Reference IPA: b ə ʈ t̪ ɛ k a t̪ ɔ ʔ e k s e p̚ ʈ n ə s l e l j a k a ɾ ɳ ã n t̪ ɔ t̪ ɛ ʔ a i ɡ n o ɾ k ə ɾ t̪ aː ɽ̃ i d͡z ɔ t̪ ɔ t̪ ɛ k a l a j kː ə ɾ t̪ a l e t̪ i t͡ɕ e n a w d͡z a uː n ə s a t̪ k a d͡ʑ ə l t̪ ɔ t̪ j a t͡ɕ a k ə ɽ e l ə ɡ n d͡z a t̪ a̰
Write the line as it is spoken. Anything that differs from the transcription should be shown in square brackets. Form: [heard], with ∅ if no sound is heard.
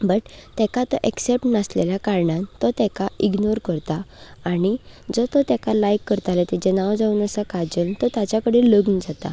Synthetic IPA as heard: b ə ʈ t̪ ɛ k a t̪ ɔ ʔ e k s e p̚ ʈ n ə s l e l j a k a ɾ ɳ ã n t̪ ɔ t̪ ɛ [k] a i ɡ n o ɾ k ə ɾ t̪ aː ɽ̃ i d͡z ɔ t̪ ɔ t̪ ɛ k a l a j kː ə ɾ t̪ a l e t̪ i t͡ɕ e n a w d͡z a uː n ə s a [∅] k a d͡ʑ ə l t̪ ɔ t̪ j a t͡ɕ a k ə ɽ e l ə ɡ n d͡z a t̪ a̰